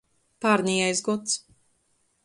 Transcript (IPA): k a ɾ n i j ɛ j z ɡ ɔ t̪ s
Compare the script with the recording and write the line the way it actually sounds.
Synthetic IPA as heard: p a ɾ n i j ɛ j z ɡ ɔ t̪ s